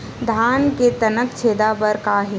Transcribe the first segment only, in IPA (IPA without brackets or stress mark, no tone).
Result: d̪ʱ